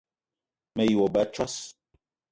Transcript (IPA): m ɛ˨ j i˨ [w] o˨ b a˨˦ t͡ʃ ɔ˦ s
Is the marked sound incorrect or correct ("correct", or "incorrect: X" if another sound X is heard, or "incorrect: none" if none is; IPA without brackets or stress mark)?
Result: correct